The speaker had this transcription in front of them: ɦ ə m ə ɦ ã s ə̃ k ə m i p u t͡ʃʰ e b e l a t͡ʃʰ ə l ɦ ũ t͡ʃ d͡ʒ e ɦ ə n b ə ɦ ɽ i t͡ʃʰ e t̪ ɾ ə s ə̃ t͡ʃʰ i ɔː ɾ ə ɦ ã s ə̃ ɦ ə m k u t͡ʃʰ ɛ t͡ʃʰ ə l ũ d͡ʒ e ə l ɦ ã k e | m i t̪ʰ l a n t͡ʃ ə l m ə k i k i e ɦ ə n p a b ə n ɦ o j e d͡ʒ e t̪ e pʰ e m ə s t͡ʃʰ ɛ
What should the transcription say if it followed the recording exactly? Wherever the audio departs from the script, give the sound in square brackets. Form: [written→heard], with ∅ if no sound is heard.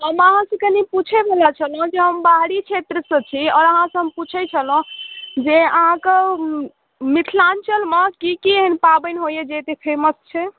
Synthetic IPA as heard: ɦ ə m ə ɦ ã s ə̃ k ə [m→n] i p u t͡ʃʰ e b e l a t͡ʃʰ ə l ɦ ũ [t͡ʃ→∅] d͡ʒ e ɦ ə [n→m] b [ə→a] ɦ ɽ i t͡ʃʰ e t̪ ɾ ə s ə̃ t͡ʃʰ i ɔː ɾ ə ɦ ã s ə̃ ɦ ə m [k→p] u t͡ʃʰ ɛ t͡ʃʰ ə l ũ d͡ʒ e ə [l→∅] ɦ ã k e | m i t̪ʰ l a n t͡ʃ ə l m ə k i k i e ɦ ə n p a b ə n ɦ o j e d͡ʒ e t̪ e pʰ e m ə s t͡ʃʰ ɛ